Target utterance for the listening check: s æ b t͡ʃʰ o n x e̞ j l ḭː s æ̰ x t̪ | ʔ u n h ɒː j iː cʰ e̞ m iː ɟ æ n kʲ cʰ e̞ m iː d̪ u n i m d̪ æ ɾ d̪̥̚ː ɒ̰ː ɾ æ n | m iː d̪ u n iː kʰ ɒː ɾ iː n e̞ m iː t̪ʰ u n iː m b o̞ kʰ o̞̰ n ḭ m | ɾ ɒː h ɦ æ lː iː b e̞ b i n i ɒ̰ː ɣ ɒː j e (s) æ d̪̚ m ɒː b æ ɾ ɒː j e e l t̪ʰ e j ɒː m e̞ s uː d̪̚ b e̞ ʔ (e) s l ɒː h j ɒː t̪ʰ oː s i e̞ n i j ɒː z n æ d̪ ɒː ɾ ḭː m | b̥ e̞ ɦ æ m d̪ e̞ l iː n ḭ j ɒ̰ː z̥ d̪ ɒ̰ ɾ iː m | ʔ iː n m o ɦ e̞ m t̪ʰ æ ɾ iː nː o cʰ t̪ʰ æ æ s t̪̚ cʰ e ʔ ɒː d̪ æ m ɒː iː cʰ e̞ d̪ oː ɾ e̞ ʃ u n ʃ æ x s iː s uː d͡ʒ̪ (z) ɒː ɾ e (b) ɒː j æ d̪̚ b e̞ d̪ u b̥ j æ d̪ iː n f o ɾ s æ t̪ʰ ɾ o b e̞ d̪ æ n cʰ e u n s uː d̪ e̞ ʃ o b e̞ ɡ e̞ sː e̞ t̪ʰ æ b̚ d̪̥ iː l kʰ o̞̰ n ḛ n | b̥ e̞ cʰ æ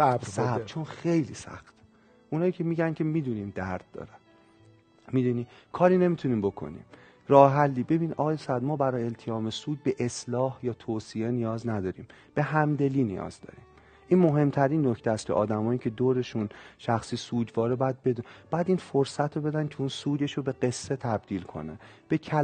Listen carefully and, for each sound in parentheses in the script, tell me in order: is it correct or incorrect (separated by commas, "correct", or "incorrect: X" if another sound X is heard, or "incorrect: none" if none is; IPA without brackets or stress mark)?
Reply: correct, correct, incorrect: v, correct